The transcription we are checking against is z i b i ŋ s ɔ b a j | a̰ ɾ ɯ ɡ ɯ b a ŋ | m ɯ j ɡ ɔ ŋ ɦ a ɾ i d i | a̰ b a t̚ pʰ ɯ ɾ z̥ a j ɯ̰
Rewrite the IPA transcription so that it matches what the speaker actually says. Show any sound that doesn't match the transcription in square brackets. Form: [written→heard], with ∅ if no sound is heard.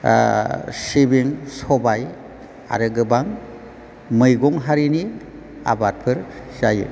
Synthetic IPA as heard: [z→s] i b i ŋ s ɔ b a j | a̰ ɾ ɯ ɡ ɯ b a ŋ | m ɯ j ɡ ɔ ŋ ɦ a ɾ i [d→n] i | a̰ b a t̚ pʰ ɯ ɾ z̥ a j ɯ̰